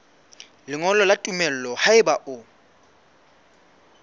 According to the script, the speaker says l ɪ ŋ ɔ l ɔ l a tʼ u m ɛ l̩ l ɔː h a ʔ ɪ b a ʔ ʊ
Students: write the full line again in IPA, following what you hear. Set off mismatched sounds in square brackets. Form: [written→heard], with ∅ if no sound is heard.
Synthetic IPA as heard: l ɪ ŋ ɔ l ɔ l a tʼ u m ɛ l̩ l [ɔː→ɔ] h a [ʔ→∅] ɪ b a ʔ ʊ